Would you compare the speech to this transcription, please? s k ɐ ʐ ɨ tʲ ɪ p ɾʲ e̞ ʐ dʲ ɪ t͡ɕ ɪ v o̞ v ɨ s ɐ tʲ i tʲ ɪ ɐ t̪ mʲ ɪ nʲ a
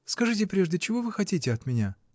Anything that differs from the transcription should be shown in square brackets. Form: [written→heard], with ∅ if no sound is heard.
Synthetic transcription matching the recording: s k ɐ ʐ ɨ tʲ ɪ p ɾʲ e̞ ʐ dʲ ɪ t͡ɕ ɪ v o̞ v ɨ [s→x] ɐ tʲ i tʲ ɪ ɐ t̪ mʲ ɪ nʲ a